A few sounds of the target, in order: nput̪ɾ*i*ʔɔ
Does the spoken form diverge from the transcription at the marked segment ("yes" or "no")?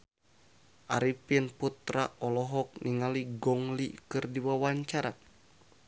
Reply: yes